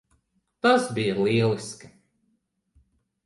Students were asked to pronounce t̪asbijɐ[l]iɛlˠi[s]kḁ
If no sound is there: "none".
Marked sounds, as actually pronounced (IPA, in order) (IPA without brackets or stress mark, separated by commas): l, s